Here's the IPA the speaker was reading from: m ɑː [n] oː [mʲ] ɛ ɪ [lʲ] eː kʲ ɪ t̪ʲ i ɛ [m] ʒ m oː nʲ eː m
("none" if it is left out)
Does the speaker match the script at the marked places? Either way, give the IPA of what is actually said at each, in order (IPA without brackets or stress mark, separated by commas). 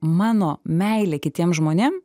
n, mʲ, lʲ, m